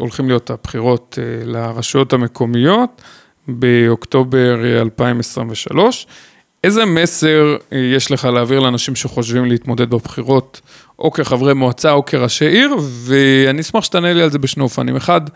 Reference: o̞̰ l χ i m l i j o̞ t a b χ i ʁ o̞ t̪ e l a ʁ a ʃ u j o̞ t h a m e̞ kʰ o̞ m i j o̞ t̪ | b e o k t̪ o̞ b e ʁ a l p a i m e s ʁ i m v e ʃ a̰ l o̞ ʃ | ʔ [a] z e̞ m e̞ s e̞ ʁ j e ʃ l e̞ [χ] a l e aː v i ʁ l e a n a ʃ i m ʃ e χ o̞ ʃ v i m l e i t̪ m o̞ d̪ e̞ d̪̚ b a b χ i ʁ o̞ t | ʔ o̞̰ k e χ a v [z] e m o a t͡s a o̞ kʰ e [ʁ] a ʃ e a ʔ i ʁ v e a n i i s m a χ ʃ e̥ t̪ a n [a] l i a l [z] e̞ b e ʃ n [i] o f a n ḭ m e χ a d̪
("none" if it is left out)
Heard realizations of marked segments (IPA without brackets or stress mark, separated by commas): e, χ, ʁ, ʁ, e, z, e